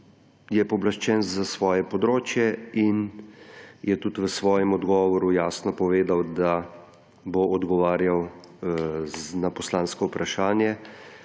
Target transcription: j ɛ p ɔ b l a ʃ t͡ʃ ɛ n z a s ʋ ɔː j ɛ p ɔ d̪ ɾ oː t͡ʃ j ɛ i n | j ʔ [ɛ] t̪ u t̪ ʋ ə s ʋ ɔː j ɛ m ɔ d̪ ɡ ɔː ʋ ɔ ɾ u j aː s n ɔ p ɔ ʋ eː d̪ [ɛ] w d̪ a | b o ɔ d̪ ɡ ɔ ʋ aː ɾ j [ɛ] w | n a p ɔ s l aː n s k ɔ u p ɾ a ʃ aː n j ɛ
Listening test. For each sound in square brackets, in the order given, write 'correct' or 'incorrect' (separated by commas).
correct, incorrect, incorrect